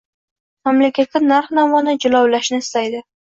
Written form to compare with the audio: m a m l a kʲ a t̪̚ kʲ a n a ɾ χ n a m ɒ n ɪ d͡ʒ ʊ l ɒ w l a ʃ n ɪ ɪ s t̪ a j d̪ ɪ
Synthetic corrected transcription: m a m l a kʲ a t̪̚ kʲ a n a ɾ χ n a m ɒ n ɪ d͡ʒ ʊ l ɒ w l a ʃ n ɪ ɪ s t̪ a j d̪ ɪ

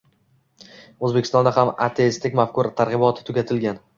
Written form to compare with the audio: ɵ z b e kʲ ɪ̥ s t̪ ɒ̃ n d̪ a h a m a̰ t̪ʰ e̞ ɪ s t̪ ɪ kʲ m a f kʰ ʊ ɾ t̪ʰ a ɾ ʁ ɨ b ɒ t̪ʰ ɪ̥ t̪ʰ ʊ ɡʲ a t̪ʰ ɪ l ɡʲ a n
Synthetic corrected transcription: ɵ z b e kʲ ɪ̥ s t̪ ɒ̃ n d̪ a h a m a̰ t̪ʰ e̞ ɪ s t̪ ɪ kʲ m a f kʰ ʊ ɾ t̪ʰ a ɾ ʁ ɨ b ɒ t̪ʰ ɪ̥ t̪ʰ ʊ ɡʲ a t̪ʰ ɪ l ɡʲ a n

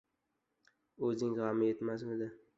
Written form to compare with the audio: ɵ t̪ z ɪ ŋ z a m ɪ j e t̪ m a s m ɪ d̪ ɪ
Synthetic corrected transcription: ɵ z ɪ ŋ ʁ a m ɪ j e t̪ m a s m ɪ d̪ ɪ

